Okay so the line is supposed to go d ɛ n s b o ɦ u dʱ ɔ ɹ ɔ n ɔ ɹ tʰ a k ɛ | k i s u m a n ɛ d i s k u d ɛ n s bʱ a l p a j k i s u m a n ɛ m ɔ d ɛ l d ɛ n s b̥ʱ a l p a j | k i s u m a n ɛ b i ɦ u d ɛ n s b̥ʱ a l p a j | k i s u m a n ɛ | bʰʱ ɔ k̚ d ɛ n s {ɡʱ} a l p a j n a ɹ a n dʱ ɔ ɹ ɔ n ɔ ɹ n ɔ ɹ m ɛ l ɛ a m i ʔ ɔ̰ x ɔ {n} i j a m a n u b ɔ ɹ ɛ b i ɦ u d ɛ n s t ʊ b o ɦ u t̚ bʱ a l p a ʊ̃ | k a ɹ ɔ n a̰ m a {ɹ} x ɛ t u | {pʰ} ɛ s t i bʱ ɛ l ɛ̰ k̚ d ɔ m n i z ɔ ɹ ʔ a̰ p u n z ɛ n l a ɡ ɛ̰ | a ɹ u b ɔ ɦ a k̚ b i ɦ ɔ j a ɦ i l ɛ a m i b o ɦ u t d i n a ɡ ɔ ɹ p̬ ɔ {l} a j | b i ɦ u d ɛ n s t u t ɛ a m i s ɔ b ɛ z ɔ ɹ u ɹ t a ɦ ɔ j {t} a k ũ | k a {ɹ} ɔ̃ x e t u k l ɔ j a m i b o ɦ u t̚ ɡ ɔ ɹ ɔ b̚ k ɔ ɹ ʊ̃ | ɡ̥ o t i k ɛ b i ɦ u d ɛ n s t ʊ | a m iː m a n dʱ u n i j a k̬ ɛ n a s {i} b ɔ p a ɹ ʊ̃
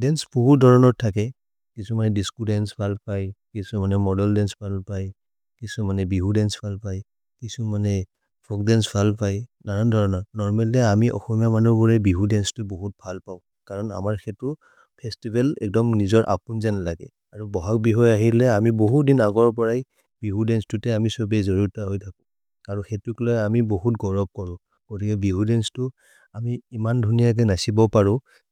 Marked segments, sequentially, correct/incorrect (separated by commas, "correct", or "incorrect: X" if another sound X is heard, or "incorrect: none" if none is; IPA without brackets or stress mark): incorrect: bʱ, incorrect: m, correct, correct, incorrect: ɹ, incorrect: tʰ, correct, correct